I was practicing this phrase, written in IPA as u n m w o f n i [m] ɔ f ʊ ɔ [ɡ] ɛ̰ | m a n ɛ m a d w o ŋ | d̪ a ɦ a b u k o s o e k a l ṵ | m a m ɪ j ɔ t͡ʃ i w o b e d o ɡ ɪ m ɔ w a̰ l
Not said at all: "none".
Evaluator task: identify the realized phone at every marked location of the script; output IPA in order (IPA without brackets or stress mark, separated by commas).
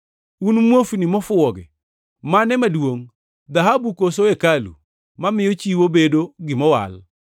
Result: m, ɡ